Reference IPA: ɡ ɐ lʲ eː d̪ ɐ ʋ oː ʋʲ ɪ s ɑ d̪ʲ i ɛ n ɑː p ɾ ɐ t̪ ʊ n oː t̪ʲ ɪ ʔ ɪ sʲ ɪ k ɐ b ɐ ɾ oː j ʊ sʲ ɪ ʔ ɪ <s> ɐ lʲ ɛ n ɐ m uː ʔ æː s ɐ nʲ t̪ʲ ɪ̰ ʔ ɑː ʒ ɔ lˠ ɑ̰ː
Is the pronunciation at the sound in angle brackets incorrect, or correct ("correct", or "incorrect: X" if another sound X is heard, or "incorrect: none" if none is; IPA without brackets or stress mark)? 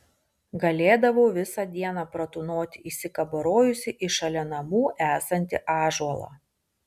incorrect: ʃ